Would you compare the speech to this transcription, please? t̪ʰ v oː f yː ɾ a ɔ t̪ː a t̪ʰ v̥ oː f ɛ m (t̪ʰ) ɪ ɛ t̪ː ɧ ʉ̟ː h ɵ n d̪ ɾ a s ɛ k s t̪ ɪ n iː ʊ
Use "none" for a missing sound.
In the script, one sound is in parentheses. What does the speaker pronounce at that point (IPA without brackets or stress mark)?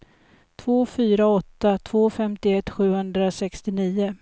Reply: t̪